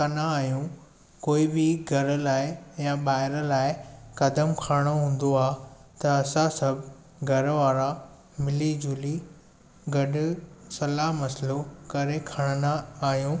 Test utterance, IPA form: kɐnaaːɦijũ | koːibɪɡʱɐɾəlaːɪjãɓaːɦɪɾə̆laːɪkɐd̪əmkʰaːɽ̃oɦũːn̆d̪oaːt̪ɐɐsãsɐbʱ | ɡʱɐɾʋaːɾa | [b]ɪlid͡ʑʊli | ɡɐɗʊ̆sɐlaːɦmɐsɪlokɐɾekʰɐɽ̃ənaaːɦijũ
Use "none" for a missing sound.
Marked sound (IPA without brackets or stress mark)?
m